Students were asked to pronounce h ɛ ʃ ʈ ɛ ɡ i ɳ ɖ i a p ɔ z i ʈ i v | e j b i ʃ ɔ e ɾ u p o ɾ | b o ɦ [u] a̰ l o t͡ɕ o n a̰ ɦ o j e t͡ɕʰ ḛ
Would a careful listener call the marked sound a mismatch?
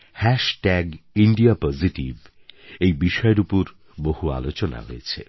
no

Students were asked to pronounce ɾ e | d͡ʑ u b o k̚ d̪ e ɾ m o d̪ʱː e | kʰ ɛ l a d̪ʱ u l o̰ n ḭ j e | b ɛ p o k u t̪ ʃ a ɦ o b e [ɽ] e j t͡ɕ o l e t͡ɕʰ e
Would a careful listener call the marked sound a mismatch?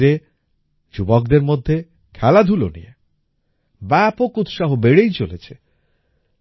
no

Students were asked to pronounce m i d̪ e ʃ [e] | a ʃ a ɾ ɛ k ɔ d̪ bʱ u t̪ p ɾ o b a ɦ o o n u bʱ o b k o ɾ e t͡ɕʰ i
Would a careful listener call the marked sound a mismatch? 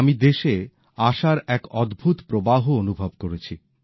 no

